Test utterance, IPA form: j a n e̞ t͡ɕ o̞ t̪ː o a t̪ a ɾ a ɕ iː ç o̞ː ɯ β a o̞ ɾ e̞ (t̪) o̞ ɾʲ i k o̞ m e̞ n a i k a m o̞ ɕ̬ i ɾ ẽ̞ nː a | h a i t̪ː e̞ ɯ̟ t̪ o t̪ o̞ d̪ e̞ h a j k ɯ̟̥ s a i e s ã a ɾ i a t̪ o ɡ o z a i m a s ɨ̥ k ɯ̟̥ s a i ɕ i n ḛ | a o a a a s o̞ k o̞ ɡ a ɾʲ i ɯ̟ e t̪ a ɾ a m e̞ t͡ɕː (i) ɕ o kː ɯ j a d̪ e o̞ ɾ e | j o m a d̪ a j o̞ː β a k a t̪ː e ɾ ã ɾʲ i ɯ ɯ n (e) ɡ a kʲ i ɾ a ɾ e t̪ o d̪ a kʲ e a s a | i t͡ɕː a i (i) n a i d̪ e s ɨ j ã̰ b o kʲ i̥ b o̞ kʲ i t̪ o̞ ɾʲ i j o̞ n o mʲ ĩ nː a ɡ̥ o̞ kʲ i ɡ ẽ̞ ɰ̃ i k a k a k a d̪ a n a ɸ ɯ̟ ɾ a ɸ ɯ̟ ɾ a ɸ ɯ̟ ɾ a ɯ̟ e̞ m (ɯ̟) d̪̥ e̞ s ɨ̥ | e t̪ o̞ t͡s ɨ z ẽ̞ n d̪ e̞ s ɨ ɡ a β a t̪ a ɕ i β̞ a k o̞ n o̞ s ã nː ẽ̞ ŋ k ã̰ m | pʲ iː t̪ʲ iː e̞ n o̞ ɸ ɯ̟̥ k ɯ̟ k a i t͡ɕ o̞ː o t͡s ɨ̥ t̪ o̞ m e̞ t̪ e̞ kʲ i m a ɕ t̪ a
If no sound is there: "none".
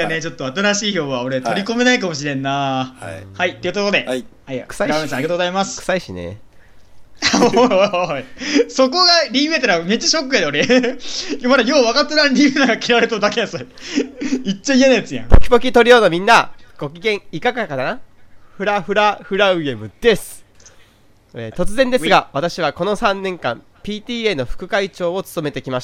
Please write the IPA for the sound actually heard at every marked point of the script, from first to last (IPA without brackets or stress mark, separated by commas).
t̪, a, a, e, ɯ̟